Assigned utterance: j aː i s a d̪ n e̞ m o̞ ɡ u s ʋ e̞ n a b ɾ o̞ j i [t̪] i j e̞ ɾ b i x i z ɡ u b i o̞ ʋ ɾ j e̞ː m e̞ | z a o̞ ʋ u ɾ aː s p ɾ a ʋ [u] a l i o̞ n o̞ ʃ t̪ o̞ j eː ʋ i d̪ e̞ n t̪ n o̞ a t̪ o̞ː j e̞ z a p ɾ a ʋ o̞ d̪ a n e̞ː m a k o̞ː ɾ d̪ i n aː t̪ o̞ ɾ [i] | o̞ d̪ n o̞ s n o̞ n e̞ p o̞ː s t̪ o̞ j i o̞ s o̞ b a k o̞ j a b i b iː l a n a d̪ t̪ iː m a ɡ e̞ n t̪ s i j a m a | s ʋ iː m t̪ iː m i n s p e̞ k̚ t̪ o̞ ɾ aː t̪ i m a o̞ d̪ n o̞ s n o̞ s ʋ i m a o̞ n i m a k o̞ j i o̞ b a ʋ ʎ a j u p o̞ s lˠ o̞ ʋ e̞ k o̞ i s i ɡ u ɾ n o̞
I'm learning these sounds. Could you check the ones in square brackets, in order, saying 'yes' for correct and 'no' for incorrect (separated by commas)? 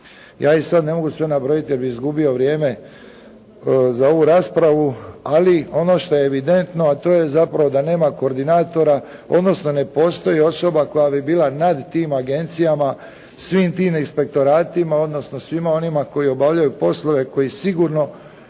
yes, yes, no